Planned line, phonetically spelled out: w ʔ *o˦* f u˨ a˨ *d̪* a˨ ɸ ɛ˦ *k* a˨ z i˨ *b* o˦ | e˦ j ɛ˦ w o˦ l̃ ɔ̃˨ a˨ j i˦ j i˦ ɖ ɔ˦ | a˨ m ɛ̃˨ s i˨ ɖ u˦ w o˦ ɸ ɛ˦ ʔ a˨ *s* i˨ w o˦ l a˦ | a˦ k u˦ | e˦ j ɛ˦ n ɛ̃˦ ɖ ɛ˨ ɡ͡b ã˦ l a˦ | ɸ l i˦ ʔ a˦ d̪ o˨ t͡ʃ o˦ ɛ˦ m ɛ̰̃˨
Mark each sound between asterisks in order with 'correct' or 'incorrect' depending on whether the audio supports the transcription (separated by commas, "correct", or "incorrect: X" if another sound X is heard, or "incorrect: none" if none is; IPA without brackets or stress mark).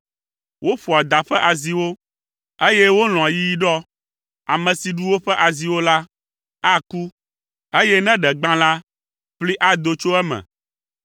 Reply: correct, correct, incorrect: ʔ, incorrect: w, incorrect: z